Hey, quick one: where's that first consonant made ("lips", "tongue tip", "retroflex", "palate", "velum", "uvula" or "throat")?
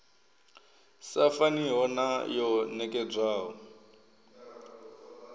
tongue tip